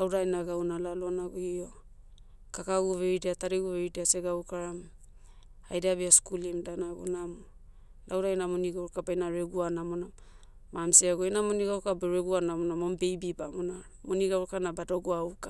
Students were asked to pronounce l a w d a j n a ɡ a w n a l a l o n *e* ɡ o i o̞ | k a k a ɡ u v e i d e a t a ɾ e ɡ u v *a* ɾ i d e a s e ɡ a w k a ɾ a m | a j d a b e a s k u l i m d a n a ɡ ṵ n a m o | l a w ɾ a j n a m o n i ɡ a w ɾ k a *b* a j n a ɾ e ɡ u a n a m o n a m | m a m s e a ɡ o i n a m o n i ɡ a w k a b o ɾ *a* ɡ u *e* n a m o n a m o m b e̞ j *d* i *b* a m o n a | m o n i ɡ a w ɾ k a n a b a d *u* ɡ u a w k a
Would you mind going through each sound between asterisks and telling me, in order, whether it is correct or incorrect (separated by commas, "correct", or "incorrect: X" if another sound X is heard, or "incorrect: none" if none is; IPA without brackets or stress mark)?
incorrect: a, incorrect: e, correct, incorrect: e, incorrect: a, incorrect: b, correct, incorrect: o